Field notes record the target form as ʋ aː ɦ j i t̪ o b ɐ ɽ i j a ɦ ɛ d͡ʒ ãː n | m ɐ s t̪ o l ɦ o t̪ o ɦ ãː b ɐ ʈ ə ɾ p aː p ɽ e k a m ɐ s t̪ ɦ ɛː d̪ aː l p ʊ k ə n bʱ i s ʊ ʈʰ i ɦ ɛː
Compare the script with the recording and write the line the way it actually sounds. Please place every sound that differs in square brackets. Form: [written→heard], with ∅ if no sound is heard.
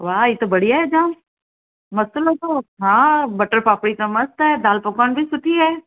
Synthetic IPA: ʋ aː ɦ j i t̪ o b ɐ ɽ i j a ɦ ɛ d͡ʒ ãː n | m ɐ s t̪ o l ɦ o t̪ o ɦ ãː b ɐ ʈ ə ɾ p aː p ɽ [e→i] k a m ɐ s t̪ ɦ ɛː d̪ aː l p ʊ k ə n bʱ i s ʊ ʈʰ i ɦ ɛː